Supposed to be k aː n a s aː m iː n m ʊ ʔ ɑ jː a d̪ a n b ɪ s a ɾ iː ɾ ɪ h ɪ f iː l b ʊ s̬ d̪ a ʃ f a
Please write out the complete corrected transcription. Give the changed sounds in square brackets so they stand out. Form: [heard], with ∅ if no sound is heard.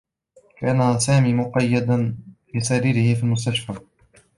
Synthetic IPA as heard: k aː n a s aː m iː [∅] m ʊ [q] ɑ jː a d̪ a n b ɪ s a ɾ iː ɾ ɪ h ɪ f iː l [m] ʊ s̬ [t̪] a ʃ f a